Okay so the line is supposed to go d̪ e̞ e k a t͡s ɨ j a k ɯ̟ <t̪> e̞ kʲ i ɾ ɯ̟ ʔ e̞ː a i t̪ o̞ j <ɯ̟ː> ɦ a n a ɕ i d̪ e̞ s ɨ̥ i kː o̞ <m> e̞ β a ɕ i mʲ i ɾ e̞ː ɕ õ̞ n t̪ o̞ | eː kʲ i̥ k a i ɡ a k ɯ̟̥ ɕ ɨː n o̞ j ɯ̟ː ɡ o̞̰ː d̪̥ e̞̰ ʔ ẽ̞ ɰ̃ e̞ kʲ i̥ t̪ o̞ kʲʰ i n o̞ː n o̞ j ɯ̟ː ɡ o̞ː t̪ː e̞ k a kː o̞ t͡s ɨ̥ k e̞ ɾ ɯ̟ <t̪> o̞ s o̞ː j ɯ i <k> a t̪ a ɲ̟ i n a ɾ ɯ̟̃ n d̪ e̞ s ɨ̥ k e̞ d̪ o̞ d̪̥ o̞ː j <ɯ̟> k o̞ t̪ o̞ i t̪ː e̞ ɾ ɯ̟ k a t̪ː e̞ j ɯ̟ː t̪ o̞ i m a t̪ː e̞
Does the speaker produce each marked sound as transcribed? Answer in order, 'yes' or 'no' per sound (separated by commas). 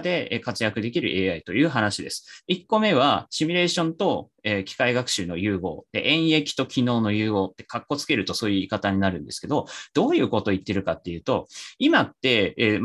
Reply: no, yes, yes, yes, yes, no